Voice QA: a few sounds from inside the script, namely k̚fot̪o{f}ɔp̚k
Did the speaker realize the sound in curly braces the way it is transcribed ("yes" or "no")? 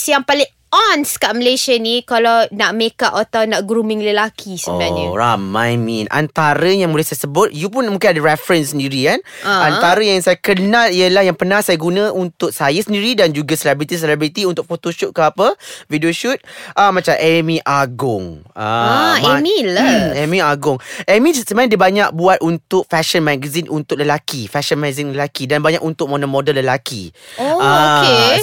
no